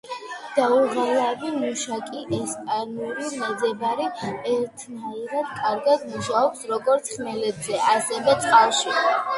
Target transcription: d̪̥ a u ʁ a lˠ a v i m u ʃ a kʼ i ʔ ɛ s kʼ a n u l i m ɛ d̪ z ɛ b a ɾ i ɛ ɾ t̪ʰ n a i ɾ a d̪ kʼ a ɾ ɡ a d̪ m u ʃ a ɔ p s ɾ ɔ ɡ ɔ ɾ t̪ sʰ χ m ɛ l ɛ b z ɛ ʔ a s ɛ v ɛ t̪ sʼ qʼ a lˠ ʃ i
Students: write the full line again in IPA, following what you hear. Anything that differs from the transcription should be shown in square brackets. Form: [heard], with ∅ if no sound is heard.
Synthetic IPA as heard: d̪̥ a u ʁ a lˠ a v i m u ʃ a kʼ i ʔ ɛ s [pʼ] a n u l i m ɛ d̪ z ɛ b a ɾ i ɛ ɾ t̪ʰ n a i ɾ a d̪ kʼ a ɾ ɡ a d̪ m u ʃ a ɔ p s ɾ ɔ ɡ ɔ ɾ t̪ sʰ χ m ɛ l ɛ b z ɛ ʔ a s ɛ v ɛ t̪ sʼ qʼ a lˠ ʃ i